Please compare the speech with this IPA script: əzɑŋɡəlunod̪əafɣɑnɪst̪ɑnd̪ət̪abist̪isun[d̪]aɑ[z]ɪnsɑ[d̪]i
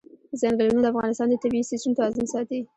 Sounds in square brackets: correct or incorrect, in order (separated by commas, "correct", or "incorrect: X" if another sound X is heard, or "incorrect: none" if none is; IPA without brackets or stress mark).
incorrect: t̪, correct, incorrect: t̪